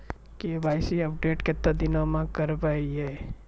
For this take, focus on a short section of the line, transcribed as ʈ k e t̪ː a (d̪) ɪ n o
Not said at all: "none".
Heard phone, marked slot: d̪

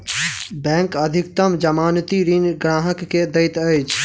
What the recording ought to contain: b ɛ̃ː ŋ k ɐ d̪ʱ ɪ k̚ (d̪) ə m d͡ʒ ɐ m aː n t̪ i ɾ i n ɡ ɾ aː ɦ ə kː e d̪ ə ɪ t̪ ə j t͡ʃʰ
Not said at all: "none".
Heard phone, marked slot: t̪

